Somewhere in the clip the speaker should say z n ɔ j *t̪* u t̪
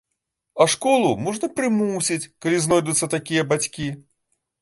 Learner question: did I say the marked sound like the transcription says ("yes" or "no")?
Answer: no